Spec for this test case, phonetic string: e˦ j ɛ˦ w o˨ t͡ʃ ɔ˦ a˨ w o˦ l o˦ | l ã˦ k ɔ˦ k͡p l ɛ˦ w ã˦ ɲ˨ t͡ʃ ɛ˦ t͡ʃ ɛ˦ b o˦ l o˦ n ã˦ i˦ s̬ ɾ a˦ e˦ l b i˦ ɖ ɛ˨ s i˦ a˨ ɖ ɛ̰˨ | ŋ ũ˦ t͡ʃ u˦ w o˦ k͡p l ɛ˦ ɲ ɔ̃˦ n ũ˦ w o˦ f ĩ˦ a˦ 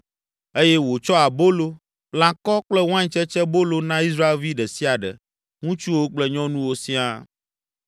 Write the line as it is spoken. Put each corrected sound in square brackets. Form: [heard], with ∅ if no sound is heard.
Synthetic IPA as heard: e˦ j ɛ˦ w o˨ t͡ʃ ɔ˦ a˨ [b] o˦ l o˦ | l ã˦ k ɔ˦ k͡p l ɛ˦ w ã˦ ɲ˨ t͡ʃ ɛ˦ t͡ʃ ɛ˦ b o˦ l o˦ n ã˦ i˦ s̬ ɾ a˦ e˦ l [v] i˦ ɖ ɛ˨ s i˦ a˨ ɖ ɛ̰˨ | ŋ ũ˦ t͡ʃ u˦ w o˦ k͡p l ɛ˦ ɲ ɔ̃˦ n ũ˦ w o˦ [s] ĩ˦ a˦